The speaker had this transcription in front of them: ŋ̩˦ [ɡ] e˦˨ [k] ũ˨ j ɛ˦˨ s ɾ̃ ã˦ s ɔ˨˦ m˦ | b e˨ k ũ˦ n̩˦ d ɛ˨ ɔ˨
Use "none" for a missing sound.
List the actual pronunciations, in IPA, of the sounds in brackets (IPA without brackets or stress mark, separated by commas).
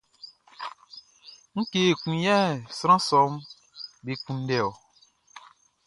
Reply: k, k